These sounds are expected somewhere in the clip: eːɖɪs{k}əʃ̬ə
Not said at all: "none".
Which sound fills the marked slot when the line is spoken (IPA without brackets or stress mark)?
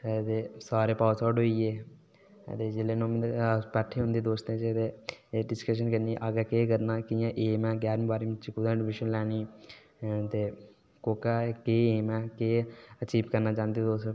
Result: k